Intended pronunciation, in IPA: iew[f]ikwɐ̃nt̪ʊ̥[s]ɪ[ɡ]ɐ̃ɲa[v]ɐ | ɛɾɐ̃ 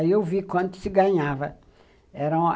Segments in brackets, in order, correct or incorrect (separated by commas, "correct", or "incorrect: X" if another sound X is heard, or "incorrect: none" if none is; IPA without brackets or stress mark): incorrect: v, correct, correct, correct